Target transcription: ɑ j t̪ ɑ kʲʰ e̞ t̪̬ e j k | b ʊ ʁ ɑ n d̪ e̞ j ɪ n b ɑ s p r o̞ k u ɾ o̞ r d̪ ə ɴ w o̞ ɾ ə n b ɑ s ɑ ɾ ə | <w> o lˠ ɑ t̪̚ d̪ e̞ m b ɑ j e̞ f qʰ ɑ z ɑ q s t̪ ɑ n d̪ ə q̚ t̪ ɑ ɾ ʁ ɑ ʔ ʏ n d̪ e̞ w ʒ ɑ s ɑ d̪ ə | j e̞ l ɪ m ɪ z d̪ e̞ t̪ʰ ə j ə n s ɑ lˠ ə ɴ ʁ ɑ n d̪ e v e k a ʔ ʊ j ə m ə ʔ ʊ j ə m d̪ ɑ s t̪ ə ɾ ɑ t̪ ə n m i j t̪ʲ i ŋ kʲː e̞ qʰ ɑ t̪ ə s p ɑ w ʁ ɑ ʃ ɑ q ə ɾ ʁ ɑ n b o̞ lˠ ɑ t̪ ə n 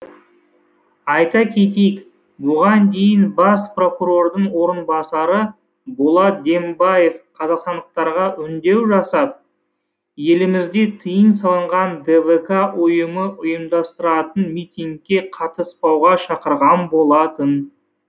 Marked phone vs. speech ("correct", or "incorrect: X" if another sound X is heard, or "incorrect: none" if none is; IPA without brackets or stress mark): incorrect: b